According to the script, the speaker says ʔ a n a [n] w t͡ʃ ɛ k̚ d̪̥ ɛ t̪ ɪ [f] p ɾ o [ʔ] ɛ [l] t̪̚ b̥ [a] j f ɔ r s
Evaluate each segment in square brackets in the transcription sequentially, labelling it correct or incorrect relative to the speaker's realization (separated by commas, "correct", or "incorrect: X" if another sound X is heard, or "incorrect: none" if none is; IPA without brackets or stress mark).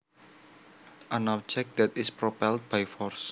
incorrect: none, incorrect: s, incorrect: p, correct, correct